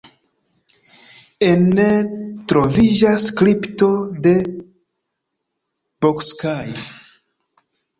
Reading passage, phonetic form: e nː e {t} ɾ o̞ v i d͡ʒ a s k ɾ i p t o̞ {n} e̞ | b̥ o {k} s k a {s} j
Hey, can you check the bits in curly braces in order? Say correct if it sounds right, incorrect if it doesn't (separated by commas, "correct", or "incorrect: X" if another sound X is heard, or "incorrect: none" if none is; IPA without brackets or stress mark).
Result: correct, incorrect: d, correct, incorrect: none